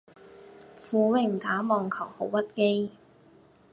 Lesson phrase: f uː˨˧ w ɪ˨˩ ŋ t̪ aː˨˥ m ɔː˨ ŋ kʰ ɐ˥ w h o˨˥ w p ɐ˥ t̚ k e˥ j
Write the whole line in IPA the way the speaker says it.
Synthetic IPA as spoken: f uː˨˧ w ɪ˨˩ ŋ t̪ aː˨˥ m ɔː˨ ŋ kʰ ɐ˨˩ w h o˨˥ w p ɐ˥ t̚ k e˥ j

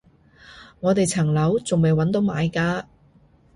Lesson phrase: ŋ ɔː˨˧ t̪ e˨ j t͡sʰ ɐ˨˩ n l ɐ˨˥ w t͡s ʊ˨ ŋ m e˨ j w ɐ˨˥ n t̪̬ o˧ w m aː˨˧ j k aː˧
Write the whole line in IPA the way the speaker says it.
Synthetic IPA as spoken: ŋ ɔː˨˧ t̪ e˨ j t͡sʰ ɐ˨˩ ŋ l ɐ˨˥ w t͡s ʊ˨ ŋ m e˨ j w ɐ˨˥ n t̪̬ o˨˥ w m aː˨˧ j k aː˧

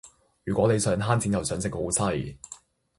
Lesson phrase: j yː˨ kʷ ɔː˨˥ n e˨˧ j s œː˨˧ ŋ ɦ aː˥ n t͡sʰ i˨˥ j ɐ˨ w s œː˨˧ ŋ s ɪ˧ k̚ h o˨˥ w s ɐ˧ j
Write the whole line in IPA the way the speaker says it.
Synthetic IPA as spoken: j yː˨ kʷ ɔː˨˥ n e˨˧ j s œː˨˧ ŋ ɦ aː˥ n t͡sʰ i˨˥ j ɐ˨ w s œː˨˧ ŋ s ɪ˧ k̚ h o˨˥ w s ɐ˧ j

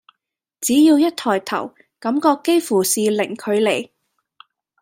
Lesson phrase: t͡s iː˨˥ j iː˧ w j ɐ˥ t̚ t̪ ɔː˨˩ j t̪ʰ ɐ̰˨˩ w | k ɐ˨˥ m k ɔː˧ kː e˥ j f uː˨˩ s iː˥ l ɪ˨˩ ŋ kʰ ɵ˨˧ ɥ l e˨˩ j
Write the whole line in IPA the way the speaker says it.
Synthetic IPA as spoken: t͡s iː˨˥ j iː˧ w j ɐ˥ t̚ t̪ʰ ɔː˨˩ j t̪ʰ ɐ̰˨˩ w | k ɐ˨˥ m k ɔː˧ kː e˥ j f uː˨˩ s iː˨ l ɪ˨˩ ŋ kʰ ɵ˨˧ ɥ l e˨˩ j

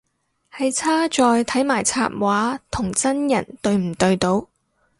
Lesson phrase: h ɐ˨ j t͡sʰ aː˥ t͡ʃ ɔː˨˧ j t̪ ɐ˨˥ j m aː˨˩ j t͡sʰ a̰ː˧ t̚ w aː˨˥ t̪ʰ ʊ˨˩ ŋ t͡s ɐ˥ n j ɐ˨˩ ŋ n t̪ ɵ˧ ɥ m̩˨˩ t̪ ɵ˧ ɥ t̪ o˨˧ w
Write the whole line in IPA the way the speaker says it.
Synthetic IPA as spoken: h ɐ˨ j t͡sʰ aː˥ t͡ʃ ɔː˨˧ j t̪ʰ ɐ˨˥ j m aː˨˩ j t͡sʰ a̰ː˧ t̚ w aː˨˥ t̪ʰ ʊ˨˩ ŋ t͡s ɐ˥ n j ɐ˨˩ n t̪ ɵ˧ ɥ m̩˨˩ t̪ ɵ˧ ɥ t̪ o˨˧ w

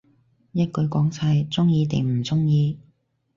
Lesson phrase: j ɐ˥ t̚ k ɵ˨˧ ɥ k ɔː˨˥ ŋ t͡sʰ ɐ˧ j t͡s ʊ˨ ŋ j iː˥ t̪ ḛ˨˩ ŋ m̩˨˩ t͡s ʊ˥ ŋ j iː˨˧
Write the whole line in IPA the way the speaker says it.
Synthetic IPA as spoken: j ɐ˥ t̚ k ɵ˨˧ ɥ k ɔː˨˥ ŋ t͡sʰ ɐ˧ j t͡s ʊ˥ ŋ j iː˨˧ t̪ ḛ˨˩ ŋ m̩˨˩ t͡s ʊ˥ ŋ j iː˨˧

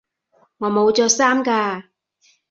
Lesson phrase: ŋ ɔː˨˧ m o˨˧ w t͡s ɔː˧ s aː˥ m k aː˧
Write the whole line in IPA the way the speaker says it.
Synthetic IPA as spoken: ŋ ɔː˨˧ m o˨˧ w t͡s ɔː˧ s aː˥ m k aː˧

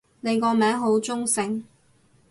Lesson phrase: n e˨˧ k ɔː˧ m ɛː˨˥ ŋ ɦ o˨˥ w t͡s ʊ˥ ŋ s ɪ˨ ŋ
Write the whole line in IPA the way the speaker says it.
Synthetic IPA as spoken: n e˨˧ k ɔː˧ m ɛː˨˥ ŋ ɦ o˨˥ w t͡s ʊ˥ ŋ s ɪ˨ ŋ

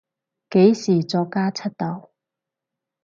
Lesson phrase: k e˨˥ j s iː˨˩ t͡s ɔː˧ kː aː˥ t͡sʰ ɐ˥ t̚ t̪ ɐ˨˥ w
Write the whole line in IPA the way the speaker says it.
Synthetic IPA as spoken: k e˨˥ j s iː˨˩ t͡s ɔː˧ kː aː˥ t͡sʰ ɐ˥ t̚ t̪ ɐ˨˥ w

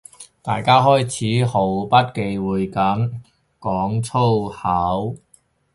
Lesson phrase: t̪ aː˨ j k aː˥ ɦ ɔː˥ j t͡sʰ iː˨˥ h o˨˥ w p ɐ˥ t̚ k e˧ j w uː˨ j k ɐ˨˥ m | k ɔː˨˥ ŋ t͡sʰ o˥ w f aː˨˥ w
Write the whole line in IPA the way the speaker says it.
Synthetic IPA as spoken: t̪ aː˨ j k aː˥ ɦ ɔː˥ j t͡sʰ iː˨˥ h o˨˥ w p ɐ˥ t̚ k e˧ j w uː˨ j k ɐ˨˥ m | k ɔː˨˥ ŋ t͡sʰ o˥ w h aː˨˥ w

